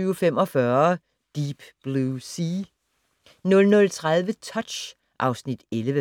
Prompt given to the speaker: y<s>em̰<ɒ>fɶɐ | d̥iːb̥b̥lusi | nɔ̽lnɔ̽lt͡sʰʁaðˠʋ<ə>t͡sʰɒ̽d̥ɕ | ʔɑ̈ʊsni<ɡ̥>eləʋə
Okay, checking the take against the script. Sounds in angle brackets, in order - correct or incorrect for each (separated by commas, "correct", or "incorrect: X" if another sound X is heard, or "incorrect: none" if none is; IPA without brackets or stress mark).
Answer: incorrect: f, correct, correct, incorrect: d̥